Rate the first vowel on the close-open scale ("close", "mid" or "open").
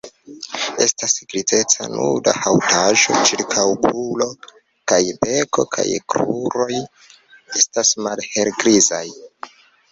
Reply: mid